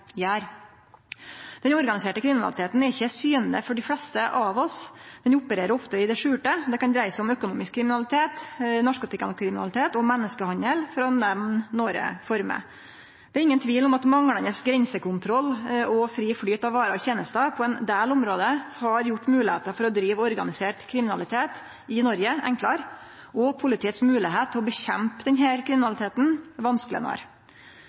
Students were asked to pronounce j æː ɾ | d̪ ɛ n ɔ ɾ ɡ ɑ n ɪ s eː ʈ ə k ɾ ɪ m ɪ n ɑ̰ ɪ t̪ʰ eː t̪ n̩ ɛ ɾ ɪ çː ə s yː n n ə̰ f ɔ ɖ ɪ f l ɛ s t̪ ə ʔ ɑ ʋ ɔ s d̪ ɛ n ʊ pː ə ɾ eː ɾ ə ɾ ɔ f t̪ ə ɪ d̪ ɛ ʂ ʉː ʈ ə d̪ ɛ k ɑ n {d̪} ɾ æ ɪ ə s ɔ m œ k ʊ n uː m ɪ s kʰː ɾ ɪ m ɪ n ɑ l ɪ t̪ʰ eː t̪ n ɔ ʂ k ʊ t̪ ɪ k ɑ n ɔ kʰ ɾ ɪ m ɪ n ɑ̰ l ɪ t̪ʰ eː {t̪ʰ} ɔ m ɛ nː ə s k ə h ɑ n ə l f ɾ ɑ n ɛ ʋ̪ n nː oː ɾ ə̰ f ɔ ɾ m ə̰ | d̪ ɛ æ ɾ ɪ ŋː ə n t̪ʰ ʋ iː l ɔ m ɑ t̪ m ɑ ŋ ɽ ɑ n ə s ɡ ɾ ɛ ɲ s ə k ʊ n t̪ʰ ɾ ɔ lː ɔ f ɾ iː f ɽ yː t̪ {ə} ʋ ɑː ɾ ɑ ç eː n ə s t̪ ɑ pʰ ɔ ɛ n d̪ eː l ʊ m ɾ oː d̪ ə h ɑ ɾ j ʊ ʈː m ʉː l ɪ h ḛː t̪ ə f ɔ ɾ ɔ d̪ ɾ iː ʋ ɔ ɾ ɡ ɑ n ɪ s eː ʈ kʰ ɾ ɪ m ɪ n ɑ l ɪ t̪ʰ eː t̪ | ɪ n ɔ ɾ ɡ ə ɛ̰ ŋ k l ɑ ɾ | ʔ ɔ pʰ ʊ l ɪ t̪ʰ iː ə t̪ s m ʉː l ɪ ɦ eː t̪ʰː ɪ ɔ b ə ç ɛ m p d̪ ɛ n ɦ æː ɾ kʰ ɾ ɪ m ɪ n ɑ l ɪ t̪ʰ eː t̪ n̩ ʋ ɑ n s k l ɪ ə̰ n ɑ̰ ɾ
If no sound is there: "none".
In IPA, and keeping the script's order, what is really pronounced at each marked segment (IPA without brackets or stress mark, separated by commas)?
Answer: d̪, t̪, ɑ